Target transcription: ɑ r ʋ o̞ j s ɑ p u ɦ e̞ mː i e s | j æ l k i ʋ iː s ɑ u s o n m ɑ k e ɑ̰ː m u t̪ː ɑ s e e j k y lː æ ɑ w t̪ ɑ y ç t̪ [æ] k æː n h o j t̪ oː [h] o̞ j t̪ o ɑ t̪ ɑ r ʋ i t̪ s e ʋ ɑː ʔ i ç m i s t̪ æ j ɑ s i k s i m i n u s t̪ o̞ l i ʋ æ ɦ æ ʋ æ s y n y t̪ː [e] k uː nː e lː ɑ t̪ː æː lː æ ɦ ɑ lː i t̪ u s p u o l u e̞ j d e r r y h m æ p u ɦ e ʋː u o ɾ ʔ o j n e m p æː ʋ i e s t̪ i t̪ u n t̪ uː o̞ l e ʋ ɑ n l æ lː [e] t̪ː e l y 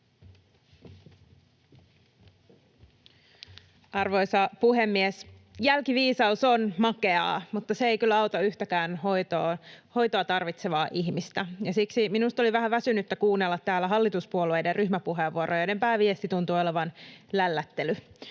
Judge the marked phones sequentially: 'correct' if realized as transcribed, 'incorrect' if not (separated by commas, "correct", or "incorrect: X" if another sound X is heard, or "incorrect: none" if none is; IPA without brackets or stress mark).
correct, correct, incorrect: æ, incorrect: æ